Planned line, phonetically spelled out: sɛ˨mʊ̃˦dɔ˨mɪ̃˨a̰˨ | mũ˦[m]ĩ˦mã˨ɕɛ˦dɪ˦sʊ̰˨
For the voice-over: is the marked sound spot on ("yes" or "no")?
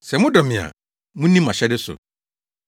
no